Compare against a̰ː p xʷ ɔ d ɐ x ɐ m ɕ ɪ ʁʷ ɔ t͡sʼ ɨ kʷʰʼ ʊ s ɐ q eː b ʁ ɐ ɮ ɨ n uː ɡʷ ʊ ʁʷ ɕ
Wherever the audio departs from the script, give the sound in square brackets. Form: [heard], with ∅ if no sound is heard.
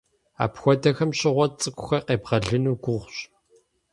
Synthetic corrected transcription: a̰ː p xʷ ɔ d ɐ x ɐ m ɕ ɪ ʁʷ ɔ t͡sʼ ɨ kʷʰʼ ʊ [x] ɐ q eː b ʁ ɐ ɮ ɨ n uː ɡʷ ʊ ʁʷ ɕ